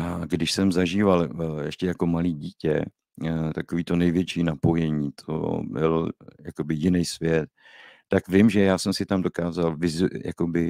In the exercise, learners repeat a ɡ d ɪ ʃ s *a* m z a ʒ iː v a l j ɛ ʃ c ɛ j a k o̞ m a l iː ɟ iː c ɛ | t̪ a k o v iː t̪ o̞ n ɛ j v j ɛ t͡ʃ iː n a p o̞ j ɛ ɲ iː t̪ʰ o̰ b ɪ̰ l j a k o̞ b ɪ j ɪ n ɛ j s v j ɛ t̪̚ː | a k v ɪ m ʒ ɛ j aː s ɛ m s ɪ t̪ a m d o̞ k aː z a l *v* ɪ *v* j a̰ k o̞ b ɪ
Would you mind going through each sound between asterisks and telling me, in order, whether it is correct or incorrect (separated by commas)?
incorrect, correct, incorrect